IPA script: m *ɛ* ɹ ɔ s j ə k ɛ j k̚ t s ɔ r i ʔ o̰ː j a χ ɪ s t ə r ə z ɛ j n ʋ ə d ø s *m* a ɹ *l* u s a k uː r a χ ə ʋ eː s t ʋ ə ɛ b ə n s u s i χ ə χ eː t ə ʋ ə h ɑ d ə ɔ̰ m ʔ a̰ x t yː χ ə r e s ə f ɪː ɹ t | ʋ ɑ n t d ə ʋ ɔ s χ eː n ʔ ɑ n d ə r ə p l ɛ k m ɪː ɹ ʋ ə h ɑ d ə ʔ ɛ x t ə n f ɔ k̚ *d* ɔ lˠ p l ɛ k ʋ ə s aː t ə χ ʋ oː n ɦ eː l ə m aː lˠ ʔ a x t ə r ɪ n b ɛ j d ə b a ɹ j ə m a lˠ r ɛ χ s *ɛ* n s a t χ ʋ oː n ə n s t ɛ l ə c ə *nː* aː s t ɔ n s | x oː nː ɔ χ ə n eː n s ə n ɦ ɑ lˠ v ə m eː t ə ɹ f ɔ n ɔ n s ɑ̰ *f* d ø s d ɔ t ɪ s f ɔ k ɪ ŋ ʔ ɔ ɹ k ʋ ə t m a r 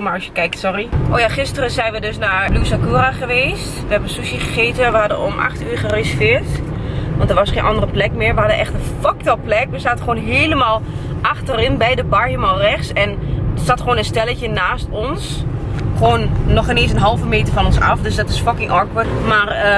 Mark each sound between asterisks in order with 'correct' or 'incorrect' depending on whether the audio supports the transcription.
incorrect: a, incorrect: n, correct, incorrect: t, correct, incorrect: n, correct

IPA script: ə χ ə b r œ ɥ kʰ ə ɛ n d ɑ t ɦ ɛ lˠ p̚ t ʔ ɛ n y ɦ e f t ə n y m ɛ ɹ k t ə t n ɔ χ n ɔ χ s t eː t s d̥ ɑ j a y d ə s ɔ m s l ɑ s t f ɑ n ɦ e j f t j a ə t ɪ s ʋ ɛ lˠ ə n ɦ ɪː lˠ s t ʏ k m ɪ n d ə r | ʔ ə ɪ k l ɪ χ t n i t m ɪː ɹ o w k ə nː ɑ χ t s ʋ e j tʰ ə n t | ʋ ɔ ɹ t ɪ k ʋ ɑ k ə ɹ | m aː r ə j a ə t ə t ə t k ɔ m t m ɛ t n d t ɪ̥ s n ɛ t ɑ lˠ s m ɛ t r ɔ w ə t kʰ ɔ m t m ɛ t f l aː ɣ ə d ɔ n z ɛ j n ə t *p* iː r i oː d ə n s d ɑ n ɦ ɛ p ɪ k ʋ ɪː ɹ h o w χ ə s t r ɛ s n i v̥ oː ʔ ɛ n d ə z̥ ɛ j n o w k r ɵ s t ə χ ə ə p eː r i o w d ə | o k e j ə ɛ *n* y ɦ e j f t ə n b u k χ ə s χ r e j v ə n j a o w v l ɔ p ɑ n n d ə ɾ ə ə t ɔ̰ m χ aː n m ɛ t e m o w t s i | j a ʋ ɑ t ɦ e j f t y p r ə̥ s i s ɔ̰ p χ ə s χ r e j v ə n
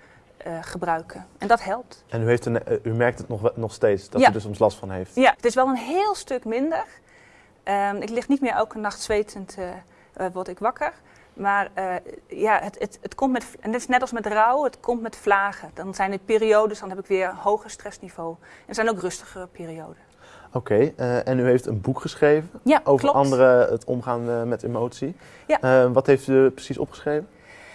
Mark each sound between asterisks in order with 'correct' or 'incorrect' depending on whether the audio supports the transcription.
correct, correct

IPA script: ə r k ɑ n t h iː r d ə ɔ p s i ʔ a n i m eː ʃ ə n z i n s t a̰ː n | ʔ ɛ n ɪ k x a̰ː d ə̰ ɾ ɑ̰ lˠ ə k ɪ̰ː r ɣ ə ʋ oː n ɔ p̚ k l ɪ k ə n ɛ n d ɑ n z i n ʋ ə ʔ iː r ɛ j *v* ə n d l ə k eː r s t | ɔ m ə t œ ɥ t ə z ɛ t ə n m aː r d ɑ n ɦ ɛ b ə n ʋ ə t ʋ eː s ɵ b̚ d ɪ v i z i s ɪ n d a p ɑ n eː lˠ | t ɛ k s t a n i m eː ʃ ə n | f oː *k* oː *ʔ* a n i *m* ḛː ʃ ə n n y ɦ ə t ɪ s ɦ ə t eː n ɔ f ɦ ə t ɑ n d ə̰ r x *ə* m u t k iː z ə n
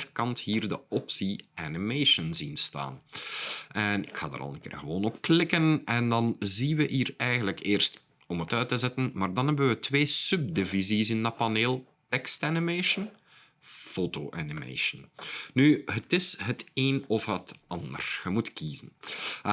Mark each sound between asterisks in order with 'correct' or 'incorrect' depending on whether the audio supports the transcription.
incorrect: ɣ, incorrect: t, correct, correct, correct

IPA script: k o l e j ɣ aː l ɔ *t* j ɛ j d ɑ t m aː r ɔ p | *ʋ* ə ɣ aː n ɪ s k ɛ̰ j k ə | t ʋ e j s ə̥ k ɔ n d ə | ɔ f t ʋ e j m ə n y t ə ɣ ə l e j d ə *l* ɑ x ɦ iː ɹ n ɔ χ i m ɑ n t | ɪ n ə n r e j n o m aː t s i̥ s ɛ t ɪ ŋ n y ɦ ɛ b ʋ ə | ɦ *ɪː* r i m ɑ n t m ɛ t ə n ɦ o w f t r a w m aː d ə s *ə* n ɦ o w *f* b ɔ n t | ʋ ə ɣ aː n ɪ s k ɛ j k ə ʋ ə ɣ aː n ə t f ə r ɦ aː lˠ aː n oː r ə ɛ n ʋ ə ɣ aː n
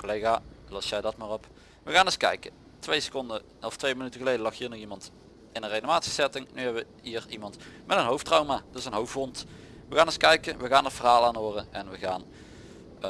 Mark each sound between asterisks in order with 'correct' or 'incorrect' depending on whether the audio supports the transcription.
incorrect: s, correct, correct, incorrect: iː, correct, correct

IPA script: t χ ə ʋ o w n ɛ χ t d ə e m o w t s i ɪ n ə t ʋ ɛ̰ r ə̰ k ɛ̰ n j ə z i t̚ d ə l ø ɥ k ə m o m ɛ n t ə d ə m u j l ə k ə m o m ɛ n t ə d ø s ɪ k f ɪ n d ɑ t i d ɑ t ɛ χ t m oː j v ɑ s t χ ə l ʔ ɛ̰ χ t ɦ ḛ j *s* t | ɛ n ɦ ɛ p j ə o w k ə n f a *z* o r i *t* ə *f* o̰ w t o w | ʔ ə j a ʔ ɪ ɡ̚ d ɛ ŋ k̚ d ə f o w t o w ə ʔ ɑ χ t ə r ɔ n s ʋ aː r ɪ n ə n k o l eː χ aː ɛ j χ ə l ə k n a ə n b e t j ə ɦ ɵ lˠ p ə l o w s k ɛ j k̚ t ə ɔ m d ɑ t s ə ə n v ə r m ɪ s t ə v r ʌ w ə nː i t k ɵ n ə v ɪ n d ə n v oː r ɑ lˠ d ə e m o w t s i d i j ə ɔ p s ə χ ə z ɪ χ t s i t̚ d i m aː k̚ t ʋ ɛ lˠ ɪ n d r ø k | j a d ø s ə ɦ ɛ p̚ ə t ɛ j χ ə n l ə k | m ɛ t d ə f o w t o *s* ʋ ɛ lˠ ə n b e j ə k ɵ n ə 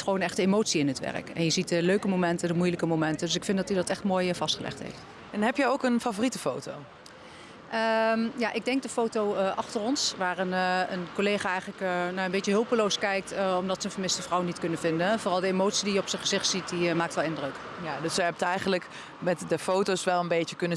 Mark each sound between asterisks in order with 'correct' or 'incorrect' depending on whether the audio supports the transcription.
incorrect: f, incorrect: v, correct, correct, correct

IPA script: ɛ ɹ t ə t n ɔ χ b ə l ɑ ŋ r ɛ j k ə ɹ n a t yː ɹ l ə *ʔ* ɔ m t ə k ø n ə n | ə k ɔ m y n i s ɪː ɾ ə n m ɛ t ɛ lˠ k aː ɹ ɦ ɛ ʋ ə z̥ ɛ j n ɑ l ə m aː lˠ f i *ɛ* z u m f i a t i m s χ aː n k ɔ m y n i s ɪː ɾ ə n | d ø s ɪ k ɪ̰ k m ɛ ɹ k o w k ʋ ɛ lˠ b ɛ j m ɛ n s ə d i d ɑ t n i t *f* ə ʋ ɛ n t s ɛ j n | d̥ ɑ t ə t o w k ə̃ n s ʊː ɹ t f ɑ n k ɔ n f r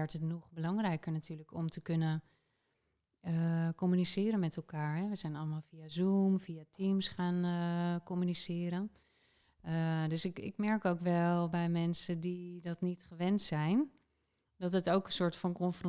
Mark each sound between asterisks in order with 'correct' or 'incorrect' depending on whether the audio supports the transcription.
incorrect: k, incorrect: a, incorrect: χ

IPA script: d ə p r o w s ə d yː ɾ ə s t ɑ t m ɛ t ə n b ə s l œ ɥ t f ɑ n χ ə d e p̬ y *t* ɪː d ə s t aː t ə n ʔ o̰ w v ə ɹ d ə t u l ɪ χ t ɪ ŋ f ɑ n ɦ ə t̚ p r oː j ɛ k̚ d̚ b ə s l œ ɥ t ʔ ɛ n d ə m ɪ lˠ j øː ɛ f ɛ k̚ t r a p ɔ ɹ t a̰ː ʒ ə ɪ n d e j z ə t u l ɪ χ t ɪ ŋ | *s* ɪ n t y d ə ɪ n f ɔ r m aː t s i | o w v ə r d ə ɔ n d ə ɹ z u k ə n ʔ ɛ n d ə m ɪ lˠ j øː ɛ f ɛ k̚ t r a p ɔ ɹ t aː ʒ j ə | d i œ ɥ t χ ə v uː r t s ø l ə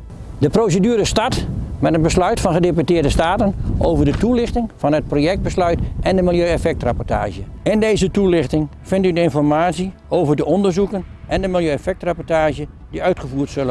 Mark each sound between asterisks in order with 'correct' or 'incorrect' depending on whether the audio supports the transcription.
correct, incorrect: f

